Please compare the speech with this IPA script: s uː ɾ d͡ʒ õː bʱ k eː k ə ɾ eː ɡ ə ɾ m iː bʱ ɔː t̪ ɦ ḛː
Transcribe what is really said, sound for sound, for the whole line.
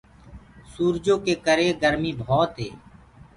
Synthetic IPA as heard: s uː ɾ d͡ʒ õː k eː k ə ɾ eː ɡ ə ɾ m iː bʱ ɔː t̪ ɦ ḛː